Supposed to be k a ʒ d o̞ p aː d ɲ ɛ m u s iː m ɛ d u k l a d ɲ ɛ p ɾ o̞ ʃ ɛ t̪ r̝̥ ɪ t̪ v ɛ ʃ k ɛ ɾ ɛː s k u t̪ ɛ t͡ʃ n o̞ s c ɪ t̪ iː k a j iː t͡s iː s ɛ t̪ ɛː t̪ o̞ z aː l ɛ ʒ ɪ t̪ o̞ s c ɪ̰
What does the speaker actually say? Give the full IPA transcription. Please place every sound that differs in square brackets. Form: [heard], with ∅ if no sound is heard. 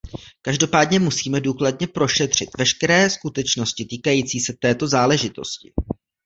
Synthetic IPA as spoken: k a ʒ d o̞ p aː d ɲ ɛ m u s iː m ɛ d [uː] k l a d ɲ ɛ p ɾ o̞ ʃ ɛ t̪ r̝̥ ɪ t̪ v ɛ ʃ k ɛ ɾ ɛː s k u t̪ ɛ t͡ʃ n o̞ s c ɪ t̪ iː k a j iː t͡s iː s ɛ t̪ ɛː t̪ o̞ z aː l ɛ ʒ ɪ t̪ o̞ s c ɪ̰